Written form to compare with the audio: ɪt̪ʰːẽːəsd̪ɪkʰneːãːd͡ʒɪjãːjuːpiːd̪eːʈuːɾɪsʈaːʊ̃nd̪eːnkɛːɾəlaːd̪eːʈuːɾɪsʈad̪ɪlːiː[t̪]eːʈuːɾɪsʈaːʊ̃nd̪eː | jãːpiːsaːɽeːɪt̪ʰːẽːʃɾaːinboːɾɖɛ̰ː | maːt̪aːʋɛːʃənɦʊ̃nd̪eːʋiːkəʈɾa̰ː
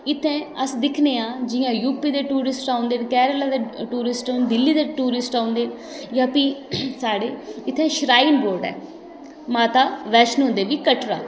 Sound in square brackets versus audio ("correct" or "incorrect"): incorrect